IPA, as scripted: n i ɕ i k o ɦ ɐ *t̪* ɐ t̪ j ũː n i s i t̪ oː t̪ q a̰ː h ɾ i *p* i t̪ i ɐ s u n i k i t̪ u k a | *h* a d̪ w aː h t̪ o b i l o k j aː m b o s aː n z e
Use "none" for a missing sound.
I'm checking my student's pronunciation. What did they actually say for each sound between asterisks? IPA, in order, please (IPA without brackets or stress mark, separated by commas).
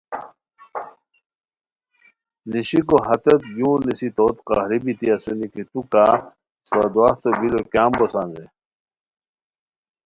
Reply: t̪, b, s